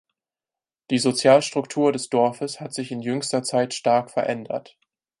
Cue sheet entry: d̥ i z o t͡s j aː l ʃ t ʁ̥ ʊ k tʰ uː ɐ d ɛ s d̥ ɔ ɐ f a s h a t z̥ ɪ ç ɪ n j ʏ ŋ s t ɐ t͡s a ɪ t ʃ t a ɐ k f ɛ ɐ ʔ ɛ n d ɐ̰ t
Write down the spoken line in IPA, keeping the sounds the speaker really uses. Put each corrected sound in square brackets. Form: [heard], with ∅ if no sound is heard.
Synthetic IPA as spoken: d̥ [iː] z o t͡s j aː l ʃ t ʁ̥ ʊ k tʰ uː ɐ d ɛ s d̥ ɔ ɐ f [ə] s h a t z̥ ɪ ç ɪ n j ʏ ŋ s t ɐ t͡s a ɪ t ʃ t a ɐ k f ɛ ɐ ʔ ɛ n d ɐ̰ t